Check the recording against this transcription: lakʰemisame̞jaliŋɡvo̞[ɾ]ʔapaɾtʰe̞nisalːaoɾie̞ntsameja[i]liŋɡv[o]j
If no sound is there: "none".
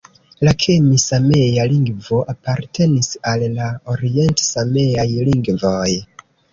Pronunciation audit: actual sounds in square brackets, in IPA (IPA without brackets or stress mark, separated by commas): none, j, o